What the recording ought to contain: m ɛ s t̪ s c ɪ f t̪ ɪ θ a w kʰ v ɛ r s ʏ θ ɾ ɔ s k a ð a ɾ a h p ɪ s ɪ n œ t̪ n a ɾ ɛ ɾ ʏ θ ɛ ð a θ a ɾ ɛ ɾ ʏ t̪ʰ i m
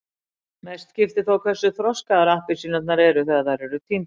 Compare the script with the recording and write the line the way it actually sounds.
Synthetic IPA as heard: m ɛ s t̪ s c ɪ f t̪ ɪ θ a w kʰ v ɛ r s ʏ θ ɾ ɔ s k a ð a ɾ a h p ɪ s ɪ n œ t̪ n a ɾ ɛ ɾ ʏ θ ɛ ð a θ a ɾ ɛ ɾ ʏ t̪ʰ i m